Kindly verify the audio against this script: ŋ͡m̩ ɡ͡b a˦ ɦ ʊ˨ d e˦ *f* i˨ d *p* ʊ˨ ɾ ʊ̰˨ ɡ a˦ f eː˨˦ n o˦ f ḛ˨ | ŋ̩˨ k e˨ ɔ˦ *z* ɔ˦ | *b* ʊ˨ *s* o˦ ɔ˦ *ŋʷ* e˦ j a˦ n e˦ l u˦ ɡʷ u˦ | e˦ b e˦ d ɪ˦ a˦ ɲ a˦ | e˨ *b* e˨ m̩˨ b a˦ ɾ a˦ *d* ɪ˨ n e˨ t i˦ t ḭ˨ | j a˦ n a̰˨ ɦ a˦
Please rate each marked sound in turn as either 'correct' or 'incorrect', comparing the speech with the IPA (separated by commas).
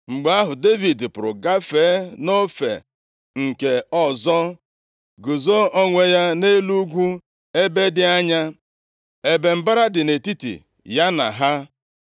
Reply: incorrect, correct, correct, incorrect, incorrect, correct, correct, correct